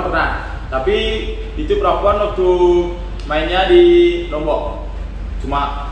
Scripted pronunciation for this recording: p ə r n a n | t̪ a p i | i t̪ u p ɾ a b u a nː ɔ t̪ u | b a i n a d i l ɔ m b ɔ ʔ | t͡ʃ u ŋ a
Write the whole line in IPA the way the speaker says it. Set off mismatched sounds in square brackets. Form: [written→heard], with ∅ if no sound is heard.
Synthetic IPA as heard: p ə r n a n | t̪ a p i | i t̪ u p ɾ a [b→p] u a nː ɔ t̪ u | [b→m] a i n a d i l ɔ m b ɔ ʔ | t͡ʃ u [ŋ→m] a

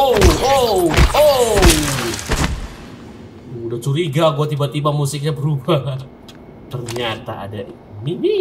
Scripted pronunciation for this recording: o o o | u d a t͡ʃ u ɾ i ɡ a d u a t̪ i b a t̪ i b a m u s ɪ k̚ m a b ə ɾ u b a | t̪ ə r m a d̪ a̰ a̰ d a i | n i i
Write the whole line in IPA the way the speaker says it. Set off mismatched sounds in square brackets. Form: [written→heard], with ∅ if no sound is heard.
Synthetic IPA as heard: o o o | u d a t͡ʃ u ɾ i ɡ a [d→ɡ] u a t̪ i b a t̪ i b a m u s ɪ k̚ [m→ɲ] a b ə ɾ u b a | t̪ ə r [m→ɲ] a [d̪→t̪] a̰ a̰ d a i | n i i

